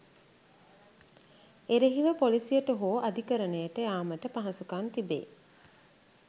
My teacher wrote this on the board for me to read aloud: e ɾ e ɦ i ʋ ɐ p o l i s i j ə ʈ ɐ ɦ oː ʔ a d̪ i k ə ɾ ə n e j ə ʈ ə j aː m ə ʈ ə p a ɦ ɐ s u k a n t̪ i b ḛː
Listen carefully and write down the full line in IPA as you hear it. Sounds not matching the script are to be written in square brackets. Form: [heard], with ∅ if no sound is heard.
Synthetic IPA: e ɾ e ɦ i ʋ [ə] p o l i s i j ə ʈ [ə] ɦ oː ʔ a d̪ i k ə ɾ ə n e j ə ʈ ə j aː m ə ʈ ə p a ɦ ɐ s u k a n t̪ i b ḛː